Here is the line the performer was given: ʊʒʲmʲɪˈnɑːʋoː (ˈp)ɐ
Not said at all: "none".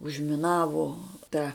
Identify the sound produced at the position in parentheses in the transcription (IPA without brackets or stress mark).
t